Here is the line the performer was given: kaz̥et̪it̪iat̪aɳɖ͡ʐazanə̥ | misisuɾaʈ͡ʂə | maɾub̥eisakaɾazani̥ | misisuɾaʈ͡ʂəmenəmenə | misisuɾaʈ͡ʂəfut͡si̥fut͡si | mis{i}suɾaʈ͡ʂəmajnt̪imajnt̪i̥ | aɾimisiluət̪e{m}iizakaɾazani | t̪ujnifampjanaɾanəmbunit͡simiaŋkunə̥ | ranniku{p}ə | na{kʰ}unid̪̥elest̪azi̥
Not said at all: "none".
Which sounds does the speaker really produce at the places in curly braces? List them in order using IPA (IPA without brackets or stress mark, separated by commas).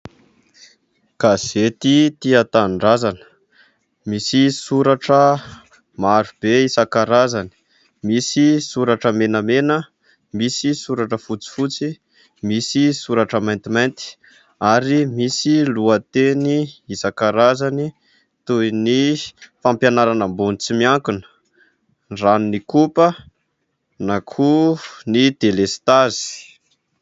i, n, p, kʰ